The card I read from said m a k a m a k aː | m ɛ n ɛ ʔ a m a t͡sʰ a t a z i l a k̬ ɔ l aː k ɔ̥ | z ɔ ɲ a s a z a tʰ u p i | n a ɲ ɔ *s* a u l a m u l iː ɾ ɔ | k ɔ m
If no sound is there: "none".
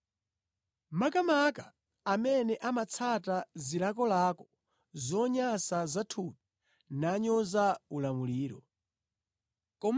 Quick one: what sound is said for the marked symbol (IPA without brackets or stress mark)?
z